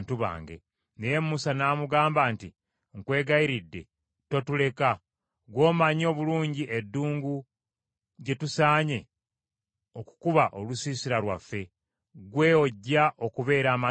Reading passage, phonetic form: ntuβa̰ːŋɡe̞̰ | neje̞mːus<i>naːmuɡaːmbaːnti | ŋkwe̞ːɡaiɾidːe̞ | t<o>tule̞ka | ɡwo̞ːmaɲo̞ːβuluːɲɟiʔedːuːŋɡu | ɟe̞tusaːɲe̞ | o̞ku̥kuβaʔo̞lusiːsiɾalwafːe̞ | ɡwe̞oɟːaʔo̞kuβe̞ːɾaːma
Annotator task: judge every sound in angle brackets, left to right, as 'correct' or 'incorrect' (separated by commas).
incorrect, correct